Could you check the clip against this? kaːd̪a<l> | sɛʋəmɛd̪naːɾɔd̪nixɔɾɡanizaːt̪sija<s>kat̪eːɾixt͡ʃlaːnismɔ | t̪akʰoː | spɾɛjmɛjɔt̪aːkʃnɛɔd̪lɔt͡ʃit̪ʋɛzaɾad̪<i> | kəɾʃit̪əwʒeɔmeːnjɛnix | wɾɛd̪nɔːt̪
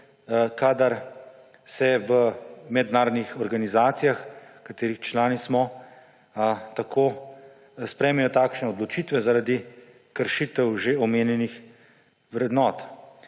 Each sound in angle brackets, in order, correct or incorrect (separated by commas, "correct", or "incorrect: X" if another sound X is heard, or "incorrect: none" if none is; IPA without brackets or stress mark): incorrect: ɾ, incorrect: x, correct